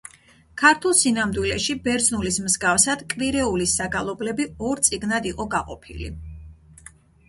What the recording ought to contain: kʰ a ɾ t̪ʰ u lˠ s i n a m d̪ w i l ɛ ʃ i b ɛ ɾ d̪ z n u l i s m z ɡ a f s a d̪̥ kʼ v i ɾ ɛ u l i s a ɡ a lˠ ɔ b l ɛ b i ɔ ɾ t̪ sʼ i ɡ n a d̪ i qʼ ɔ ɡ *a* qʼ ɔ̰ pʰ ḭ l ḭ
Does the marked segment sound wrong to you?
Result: no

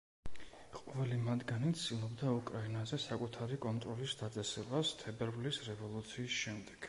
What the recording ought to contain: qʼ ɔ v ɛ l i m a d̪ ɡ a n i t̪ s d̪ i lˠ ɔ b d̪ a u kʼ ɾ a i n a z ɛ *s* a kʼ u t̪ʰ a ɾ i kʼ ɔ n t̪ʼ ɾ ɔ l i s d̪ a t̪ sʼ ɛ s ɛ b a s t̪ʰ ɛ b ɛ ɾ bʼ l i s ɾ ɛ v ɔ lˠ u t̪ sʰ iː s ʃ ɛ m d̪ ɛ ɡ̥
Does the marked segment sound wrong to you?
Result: no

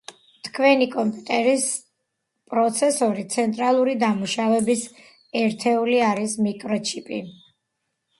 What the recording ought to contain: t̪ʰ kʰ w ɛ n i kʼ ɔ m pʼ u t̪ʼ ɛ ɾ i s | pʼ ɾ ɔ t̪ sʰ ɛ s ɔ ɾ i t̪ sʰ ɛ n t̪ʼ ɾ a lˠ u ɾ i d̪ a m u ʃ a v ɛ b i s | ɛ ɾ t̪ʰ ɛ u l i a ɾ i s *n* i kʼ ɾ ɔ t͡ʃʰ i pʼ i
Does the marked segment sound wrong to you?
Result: yes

